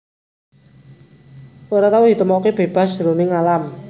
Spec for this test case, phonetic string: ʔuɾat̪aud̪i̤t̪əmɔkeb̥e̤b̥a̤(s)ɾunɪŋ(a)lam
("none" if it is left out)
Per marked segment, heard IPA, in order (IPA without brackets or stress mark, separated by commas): s, a